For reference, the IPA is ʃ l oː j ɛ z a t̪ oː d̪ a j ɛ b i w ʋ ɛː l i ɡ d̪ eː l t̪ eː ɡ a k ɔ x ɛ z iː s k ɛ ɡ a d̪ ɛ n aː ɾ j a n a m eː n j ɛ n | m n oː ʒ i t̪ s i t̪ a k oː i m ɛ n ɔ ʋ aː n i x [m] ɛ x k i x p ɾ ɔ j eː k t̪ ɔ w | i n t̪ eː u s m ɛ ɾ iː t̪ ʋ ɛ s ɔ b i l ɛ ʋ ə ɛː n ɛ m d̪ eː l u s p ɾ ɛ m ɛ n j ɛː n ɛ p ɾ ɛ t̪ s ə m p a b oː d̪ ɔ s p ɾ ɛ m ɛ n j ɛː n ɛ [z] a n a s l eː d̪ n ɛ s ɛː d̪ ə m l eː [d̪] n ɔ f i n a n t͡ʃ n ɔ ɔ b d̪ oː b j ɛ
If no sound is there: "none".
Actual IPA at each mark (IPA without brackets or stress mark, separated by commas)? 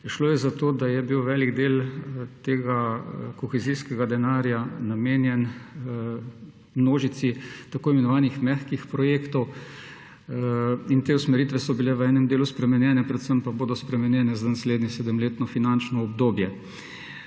m, z, t̪